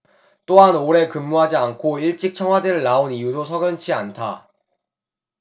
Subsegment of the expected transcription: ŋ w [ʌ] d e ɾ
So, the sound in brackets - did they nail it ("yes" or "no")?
no